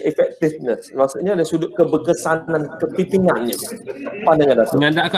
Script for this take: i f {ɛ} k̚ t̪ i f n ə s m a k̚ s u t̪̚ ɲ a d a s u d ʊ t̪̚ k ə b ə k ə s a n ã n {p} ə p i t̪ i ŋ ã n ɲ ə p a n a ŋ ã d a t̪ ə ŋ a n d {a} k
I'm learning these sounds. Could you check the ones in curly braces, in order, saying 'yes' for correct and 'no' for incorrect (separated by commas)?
yes, no, yes